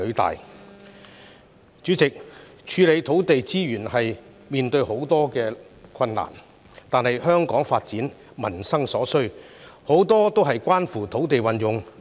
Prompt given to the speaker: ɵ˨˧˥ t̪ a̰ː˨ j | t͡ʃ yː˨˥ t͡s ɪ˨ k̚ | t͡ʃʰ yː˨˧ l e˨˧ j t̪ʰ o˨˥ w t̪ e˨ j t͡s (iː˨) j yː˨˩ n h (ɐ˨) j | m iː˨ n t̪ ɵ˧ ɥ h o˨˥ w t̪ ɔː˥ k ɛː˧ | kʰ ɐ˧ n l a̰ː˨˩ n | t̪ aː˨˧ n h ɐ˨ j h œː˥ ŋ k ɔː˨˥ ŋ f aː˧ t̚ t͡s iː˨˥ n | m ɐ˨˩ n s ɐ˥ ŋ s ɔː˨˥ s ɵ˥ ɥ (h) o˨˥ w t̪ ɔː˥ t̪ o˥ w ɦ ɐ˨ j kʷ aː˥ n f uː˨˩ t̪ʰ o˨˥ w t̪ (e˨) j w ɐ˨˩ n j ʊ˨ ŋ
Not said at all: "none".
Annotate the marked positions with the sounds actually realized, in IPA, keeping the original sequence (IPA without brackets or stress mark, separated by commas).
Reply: iː˥, ɐ˨, h, e˨